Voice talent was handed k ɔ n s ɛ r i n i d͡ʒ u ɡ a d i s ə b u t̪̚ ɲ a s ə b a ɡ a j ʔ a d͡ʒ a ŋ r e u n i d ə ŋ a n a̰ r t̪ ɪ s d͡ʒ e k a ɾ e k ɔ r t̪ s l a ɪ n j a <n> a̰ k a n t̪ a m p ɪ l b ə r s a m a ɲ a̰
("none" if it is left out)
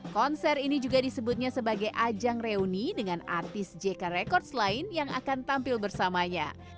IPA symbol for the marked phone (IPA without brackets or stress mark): ŋ